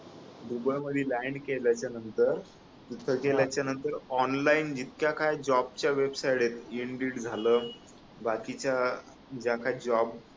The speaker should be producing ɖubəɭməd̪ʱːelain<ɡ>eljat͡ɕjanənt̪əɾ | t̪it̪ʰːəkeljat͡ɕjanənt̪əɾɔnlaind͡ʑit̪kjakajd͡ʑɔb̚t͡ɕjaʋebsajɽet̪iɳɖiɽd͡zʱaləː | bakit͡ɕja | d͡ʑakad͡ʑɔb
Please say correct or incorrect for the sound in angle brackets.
incorrect